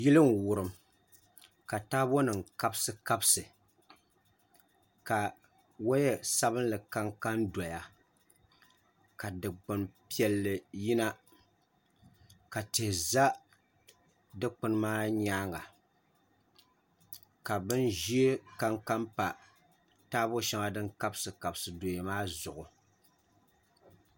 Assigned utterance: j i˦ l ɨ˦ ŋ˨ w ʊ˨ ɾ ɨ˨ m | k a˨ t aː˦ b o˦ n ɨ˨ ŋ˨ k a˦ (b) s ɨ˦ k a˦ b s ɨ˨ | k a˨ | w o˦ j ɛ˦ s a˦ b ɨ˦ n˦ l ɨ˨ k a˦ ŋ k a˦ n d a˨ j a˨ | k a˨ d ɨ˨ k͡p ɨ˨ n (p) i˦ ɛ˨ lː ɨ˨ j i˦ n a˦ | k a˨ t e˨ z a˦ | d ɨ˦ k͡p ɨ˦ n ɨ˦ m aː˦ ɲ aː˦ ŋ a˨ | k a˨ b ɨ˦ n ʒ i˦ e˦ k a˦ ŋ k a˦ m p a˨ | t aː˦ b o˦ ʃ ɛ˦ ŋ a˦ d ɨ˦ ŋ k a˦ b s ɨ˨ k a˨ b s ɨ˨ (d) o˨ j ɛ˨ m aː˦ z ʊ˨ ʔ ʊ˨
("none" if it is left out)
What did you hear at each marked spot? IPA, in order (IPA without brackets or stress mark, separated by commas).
b, p, d